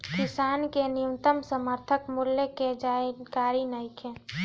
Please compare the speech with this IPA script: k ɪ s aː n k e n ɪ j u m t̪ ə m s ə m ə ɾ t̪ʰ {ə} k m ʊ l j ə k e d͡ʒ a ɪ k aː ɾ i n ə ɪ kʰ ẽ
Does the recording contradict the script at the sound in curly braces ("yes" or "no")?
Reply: no